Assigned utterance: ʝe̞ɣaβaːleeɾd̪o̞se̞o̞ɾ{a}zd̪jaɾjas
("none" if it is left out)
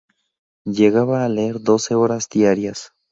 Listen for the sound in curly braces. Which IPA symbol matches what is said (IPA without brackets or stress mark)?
a